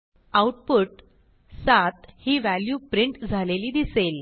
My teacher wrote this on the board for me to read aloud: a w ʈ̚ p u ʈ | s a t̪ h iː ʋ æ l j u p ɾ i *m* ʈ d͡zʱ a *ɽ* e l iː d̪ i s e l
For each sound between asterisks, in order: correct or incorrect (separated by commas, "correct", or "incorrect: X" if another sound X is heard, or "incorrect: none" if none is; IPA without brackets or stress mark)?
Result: incorrect: ɳ, incorrect: l